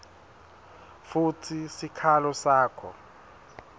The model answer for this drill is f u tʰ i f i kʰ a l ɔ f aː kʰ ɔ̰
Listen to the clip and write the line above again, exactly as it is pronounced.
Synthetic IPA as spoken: f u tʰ i s i kʰ a l ɔ s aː kʰ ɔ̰